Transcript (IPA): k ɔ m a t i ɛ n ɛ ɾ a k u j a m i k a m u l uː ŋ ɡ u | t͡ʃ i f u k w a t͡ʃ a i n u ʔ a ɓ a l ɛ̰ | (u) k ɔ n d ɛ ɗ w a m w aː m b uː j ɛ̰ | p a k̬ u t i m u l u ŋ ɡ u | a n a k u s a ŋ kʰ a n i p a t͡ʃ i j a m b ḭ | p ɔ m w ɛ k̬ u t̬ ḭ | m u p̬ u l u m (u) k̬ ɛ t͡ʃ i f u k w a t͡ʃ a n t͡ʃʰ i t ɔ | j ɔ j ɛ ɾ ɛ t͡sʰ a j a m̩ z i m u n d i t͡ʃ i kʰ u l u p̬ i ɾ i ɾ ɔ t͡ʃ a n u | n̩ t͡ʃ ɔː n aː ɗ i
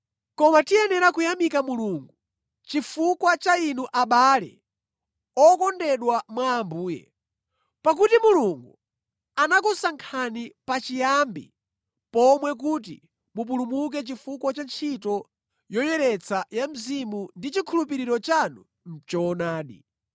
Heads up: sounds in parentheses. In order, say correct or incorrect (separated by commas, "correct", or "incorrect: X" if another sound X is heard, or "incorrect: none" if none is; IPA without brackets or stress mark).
incorrect: ɔ, correct